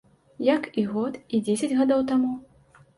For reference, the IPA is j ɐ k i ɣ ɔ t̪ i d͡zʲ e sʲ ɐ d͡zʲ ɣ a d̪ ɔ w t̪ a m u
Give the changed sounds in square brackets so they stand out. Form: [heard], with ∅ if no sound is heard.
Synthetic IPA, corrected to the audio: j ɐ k i ɣ ɔ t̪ i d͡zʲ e sʲ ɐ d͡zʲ ɣ a d̪ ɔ w t̪ a m u